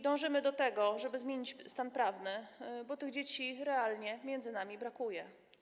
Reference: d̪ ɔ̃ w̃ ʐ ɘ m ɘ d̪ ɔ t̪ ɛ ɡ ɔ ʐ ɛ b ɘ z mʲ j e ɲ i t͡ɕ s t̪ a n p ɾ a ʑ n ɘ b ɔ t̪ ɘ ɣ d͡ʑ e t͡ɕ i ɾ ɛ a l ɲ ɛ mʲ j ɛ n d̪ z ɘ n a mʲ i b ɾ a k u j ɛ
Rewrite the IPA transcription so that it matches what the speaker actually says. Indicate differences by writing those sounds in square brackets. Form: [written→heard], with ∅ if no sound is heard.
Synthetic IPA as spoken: d̪ ɔ̃ w̃ ʐ ɘ m ɘ d̪ ɔ t̪ ɛ ɡ ɔ ʐ ɛ b ɘ z mʲ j e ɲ i t͡ɕ s t̪ a n p ɾ a [ʑ→v] n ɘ b ɔ t̪ ɘ ɣ d͡ʑ e t͡ɕ i ɾ ɛ a l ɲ ɛ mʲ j ɛ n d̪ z ɘ n a mʲ i b ɾ a k u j ɛ